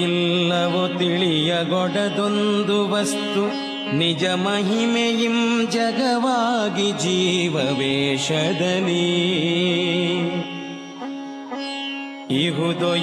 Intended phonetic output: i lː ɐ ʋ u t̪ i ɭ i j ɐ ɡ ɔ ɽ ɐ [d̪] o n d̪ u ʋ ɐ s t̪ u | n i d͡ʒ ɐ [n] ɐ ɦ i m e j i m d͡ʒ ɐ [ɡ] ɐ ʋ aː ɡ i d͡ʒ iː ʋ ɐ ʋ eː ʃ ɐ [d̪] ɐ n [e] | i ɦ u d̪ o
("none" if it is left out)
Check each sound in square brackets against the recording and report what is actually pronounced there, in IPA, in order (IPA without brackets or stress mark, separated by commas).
d̪, m, ɡ, d̪, i